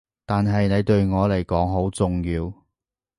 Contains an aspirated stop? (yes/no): no